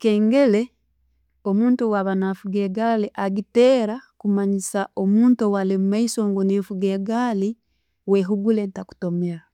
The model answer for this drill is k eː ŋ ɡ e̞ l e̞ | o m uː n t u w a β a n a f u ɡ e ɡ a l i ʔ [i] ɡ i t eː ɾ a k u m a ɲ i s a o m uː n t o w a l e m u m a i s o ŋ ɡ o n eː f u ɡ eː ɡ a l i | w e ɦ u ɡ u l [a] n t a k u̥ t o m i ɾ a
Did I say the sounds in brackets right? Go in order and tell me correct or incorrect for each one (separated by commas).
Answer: incorrect, incorrect